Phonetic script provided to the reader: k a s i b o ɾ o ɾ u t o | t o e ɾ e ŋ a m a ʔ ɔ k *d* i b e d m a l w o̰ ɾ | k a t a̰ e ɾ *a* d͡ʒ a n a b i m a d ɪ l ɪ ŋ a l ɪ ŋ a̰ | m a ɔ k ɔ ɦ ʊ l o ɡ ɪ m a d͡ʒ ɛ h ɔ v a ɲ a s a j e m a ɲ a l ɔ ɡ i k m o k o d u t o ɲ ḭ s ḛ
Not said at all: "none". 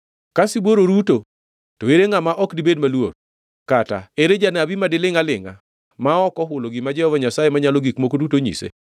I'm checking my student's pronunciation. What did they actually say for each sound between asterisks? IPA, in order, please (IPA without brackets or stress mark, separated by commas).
d, e